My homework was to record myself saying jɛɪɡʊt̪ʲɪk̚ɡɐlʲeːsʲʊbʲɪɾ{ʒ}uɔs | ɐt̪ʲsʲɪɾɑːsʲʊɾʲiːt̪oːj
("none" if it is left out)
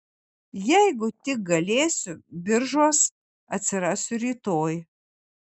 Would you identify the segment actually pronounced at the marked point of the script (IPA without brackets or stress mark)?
ʒ